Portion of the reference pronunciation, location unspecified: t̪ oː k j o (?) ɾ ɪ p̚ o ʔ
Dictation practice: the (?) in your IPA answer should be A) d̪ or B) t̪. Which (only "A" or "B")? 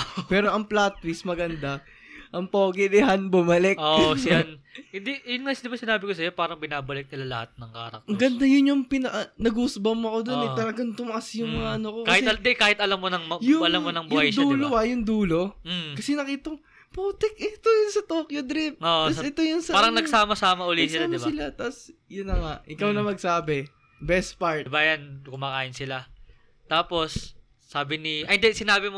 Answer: A